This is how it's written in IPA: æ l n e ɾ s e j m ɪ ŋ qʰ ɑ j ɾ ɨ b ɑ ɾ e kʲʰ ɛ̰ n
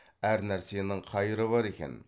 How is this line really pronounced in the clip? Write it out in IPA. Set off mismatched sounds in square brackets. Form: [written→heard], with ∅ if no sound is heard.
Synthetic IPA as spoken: æ [l→ɾ] n [e→æ] ɾ s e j [m→n] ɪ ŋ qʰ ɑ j ɾ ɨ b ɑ ɾ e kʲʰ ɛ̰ n